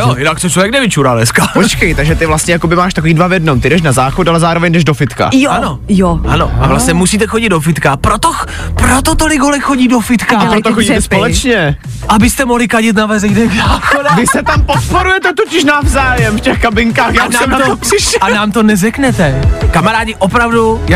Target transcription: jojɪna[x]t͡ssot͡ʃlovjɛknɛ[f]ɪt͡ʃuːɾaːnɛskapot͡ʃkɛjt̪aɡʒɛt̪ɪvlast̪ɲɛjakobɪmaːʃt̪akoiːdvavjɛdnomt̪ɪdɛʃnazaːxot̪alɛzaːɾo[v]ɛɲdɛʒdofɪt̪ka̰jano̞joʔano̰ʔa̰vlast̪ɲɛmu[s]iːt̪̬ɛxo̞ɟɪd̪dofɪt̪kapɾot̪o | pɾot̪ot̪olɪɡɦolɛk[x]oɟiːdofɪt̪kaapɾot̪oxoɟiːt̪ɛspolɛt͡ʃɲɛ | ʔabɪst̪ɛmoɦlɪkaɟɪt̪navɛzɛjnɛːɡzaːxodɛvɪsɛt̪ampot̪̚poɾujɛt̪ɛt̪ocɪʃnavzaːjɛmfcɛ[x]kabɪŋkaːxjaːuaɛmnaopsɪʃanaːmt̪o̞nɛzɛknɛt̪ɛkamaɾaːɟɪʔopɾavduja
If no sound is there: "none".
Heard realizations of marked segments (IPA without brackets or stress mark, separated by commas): k, v, v, s, x, x